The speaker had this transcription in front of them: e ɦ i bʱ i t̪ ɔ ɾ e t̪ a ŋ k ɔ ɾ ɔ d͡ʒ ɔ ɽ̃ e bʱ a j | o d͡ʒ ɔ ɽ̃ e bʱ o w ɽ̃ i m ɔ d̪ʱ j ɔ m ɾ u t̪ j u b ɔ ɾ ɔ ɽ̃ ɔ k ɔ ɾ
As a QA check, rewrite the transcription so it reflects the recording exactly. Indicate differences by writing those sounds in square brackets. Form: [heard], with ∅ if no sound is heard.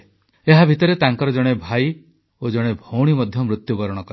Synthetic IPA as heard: e ɦ [a] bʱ i t̪ ɔ ɾ e t̪ a ŋ k ɔ ɾ ɔ d͡ʒ ɔ ɽ̃ e bʱ a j | o d͡ʒ ɔ ɽ̃ e bʱ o w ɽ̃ i m ɔ d̪ʱ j ɔ m ɾ u t̪ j u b ɔ ɾ ɔ ɽ̃ ɔ k ɔ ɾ